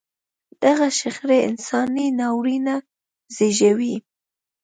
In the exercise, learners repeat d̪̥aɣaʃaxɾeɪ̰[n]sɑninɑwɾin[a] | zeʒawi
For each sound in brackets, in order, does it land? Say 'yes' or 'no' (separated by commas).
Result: yes, yes